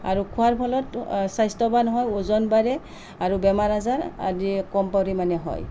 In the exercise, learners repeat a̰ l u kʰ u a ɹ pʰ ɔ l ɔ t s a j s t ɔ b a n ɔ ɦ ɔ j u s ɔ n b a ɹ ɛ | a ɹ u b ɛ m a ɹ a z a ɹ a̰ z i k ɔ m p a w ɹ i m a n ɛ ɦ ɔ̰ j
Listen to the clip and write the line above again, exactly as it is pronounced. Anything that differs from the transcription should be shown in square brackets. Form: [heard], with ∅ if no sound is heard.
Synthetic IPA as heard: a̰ [ɹ] u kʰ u a ɹ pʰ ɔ l ɔ t s a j s t ɔ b a n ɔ ɦ ɔ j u [z] ɔ n b a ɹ ɛ | a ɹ u b ɛ m a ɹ a z a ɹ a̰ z i k ɔ m p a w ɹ i m a n ɛ ɦ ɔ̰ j